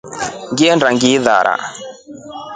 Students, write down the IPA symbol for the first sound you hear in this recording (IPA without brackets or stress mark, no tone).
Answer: ŋ